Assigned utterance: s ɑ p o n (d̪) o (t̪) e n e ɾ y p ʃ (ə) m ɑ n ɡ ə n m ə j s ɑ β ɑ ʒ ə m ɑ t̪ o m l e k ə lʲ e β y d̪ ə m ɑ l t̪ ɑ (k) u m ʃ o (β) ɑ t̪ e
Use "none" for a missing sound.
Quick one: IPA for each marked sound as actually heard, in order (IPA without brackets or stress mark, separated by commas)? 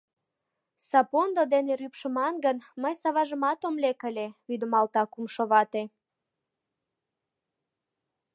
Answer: d̪, d̪, ə, k, β